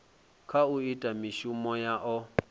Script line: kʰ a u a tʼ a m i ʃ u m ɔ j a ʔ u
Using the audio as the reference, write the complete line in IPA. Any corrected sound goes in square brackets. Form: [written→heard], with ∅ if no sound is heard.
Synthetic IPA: kʰ a u [a→i] tʼ a m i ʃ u m ɔ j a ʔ [u→ɔ]

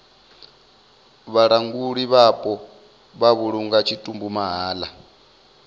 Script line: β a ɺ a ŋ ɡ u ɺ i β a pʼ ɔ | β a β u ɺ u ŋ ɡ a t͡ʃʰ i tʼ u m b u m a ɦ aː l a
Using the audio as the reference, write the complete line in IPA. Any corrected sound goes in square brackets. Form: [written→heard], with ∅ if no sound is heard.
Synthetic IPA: β a ɺ a ŋ ɡ u ɺ i β a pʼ ɔ | β a β u ɺ u ŋ ɡ a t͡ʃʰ i tʼ u m b u m a ɦ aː l a

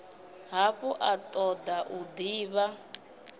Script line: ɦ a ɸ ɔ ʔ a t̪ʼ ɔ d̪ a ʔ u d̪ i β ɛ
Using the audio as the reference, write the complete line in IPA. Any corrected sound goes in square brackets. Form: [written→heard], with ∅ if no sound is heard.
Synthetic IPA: ɦ a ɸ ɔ ʔ a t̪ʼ ɔ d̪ a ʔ u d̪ [i→iː] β [ɛ→a]

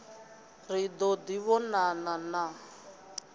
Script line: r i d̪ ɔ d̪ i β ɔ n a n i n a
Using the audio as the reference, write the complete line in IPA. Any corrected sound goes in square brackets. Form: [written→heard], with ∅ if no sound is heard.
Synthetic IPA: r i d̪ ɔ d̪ i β ɔ n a n [i→a] n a

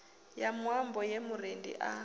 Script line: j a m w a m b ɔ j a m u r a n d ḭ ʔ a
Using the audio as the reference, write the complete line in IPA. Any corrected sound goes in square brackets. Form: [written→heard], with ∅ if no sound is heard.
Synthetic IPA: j a m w a m b ɔ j [a→e] m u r [a→e] n d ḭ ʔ a

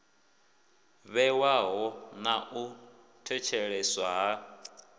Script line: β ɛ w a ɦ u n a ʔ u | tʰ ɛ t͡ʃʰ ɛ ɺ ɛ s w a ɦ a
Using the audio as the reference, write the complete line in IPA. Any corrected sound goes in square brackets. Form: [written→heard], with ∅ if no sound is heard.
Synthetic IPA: β ɛ w a ɦ [u→ɔ] n a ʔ u | tʰ ɛ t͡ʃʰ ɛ ɺ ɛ s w a ɦ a

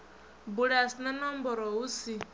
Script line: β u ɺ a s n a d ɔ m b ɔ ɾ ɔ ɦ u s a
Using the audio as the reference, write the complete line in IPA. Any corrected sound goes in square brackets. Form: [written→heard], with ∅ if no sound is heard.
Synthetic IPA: [β→b] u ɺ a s n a [d→n] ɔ m b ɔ ɾ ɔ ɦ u s [a→i]

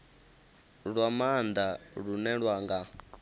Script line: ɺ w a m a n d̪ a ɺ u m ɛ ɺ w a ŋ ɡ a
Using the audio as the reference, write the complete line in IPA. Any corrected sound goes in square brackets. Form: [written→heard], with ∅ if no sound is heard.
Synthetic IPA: ɺ w a m a n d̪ a ɺ u [m→n] ɛ ɺ w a ŋ ɡ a

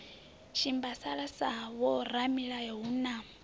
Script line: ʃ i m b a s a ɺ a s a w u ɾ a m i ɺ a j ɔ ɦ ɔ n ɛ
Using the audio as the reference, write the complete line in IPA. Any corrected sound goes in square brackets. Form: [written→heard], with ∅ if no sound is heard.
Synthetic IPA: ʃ i m b a s a ɺ a s a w [u→ɔ] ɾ a m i ɺ a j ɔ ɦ [ɔ→u] n [ɛ→a]

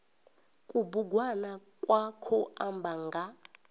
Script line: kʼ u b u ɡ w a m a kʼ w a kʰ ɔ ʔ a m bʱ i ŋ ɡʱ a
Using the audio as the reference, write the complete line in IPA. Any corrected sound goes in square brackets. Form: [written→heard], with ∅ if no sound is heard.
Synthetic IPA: kʼ u b u ɡ w a [m→n] a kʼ w a kʰ ɔ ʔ a m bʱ [i→a] ŋ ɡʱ a

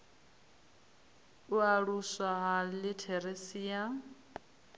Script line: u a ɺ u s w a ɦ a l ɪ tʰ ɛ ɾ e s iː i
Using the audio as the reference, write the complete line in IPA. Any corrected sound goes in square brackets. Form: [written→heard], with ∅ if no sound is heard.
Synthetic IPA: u a ɺ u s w a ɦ a l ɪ tʰ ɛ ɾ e s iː [i→a]

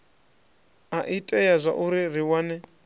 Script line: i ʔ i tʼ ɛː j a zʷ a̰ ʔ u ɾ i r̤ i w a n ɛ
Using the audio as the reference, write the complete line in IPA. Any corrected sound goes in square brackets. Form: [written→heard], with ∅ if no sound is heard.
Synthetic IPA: [i→a] ʔ i tʼ [ɛː→ɛ] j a zʷ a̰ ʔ u ɾ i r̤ i w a n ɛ

